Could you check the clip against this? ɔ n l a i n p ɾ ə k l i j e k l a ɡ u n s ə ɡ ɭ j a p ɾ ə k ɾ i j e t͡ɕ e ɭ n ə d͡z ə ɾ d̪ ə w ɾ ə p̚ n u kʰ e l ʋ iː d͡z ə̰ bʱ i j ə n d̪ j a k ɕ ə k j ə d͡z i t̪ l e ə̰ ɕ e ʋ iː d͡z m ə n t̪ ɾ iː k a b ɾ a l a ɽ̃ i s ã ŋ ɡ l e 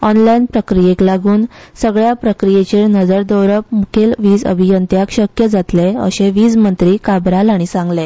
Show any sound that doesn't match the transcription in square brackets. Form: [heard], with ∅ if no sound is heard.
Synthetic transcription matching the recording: ɔ n l a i n p ɾ ə k [ɾ] i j e k l a ɡ [uː] n s ə ɡ ɭ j a p ɾ ə k ɾ i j e t͡ɕ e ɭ n ə d͡z ə ɾ d̪ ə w ɾ ə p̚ [m] u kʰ e l ʋ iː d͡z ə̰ bʱ i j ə n [t̪] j a k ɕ ə k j ə d͡z [a] t̪ l e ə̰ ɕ e ʋ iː d͡z m ə n t̪ ɾ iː k a b ɾ a l a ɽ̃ i s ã ŋ ɡ l e